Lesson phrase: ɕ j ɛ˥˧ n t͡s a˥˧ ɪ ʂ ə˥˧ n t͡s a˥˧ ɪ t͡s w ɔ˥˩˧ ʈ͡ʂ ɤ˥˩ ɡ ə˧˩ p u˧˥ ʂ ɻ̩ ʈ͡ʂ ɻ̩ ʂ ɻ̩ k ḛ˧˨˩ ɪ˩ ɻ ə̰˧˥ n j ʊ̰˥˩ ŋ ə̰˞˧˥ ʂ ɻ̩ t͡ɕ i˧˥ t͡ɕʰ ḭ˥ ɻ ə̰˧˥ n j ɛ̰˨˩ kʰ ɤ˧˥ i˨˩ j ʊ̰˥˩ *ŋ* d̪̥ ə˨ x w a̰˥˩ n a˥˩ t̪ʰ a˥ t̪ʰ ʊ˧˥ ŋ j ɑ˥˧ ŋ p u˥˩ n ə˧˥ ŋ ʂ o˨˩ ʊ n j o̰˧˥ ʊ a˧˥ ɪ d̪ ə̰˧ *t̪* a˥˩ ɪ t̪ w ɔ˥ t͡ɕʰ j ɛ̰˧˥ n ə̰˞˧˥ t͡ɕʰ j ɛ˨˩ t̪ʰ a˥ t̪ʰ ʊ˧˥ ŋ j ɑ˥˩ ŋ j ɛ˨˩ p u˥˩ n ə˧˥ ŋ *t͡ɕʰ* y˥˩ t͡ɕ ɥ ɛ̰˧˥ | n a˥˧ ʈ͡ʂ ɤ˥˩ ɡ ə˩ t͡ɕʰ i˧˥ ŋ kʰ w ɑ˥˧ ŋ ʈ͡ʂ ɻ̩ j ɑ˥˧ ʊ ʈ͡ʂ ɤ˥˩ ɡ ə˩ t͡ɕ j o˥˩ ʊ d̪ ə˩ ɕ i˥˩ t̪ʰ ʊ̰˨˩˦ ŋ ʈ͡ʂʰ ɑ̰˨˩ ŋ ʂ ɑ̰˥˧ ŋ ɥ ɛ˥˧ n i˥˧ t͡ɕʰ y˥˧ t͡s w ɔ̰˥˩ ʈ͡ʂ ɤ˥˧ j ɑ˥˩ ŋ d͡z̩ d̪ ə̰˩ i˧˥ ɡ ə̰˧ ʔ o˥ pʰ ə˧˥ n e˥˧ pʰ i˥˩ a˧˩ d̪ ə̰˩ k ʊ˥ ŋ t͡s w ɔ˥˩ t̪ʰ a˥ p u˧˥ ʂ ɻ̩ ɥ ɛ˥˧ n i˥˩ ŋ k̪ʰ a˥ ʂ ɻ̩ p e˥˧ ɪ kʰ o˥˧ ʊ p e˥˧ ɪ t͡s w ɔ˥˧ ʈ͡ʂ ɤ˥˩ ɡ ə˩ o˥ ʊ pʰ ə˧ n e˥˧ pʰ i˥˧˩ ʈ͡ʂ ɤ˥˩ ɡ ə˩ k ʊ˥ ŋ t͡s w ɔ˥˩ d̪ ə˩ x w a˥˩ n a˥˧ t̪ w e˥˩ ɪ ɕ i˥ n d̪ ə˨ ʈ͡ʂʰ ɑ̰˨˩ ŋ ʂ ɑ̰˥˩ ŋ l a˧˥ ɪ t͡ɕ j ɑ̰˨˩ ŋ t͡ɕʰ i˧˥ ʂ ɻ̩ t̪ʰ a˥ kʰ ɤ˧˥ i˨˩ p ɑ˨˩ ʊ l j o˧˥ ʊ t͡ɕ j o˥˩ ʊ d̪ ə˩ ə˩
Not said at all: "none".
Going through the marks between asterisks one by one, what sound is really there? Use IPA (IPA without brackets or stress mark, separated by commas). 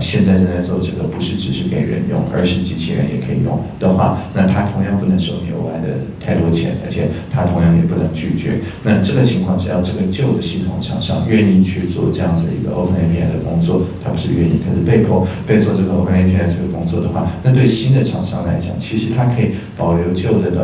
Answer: ŋ, t̪ʰ, t͡ɕ